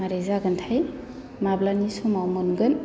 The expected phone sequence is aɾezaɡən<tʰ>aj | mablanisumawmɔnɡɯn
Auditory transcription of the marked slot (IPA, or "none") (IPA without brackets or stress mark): tʰ